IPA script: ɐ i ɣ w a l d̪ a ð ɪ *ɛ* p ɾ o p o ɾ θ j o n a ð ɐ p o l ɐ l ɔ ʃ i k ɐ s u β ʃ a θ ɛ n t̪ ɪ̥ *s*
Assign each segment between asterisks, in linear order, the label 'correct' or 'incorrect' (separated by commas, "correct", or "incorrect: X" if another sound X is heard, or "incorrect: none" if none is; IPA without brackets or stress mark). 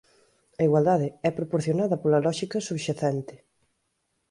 correct, incorrect: none